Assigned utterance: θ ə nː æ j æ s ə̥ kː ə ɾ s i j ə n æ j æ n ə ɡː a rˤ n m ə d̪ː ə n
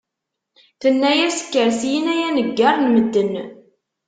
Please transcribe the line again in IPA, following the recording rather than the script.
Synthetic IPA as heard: θ ə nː æ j æ s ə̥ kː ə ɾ s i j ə n æ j æ n ə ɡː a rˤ n m ə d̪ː ə n